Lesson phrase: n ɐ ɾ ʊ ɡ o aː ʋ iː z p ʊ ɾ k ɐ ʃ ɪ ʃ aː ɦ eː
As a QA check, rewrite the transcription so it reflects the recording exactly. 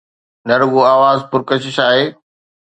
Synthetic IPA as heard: n ɐ ɾ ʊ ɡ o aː ʋ aː z p ʊ ɾ k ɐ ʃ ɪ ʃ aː ɦ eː